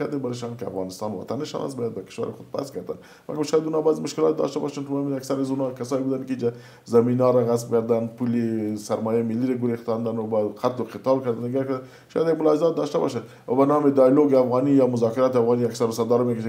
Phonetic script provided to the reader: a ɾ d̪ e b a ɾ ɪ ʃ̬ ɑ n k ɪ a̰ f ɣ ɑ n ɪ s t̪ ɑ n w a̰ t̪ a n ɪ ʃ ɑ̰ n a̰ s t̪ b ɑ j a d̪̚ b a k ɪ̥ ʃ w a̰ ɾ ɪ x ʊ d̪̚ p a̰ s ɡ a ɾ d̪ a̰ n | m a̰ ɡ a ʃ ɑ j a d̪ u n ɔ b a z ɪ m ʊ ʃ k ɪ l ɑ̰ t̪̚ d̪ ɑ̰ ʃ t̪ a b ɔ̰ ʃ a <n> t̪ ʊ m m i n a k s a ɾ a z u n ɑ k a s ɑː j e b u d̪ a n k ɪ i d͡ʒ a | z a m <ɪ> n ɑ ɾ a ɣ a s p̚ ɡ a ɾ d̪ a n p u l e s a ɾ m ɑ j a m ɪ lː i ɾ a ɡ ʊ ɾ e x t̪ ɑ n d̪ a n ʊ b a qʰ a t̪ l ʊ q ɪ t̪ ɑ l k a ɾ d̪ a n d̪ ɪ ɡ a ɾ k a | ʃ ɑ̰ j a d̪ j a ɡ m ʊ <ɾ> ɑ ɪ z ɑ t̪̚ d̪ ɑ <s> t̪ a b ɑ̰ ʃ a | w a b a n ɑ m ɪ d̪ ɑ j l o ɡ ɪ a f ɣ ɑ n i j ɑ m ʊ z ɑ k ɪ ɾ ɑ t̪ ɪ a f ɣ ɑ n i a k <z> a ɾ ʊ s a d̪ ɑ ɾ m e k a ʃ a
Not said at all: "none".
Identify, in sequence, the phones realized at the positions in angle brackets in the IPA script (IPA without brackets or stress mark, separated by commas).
n, i, l, ʃ, s